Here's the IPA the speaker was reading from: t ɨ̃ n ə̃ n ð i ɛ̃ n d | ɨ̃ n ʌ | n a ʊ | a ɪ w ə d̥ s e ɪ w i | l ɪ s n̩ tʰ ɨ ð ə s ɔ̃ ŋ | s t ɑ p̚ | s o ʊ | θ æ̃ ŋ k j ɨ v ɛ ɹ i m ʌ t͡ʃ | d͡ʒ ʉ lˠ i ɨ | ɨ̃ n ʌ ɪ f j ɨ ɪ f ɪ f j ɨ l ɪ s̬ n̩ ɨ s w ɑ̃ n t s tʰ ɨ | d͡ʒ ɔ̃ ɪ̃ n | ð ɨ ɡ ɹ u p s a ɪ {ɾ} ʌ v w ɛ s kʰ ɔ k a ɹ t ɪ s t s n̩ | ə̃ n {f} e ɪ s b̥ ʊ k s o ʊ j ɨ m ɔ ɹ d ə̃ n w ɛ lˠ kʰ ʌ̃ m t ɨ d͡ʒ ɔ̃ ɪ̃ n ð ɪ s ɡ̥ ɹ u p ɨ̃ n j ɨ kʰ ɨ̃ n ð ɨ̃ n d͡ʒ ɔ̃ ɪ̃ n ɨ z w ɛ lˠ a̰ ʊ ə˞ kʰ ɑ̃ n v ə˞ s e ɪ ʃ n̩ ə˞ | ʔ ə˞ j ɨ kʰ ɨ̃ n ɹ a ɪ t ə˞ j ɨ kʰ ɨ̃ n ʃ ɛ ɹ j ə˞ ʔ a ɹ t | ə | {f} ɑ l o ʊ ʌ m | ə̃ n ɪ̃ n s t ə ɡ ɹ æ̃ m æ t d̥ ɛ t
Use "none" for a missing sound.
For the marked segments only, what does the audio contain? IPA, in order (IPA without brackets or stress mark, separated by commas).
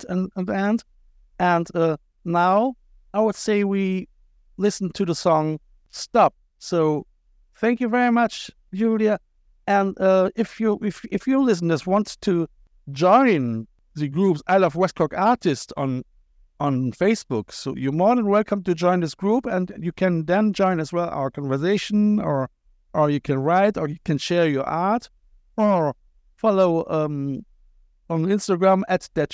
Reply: l, f, f